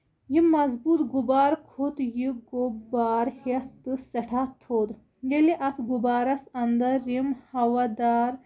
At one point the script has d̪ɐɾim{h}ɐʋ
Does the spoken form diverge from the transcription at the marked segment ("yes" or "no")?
no